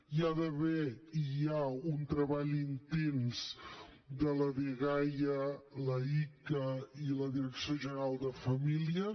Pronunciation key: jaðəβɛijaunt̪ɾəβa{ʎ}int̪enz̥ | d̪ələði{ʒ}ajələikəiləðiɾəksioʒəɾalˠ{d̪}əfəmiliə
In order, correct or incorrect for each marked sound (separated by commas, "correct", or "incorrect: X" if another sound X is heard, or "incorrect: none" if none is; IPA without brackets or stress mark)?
correct, incorrect: ɣ, correct